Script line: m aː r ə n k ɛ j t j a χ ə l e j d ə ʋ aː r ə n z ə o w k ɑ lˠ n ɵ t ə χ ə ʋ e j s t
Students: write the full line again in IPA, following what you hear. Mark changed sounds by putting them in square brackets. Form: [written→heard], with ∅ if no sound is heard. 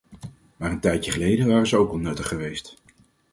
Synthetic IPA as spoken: m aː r ə n [k→t] ɛ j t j [a→ə] χ ə l e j d ə ʋ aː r ə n z ə o w k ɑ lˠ n ɵ t ə χ ə ʋ e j s t